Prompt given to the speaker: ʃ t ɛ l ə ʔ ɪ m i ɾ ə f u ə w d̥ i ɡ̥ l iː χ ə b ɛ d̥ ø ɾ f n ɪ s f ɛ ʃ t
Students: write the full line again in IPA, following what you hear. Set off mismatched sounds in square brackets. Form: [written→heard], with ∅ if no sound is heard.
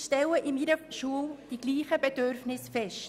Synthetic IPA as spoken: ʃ t ɛ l ə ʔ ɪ m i ɾ ə [f→ʃ] u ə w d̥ i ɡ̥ l iː χ ə b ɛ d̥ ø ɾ f n ɪ s f ɛ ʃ t